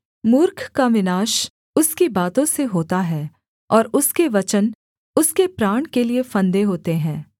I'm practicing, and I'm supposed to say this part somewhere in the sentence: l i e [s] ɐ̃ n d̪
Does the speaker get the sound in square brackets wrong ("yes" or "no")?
yes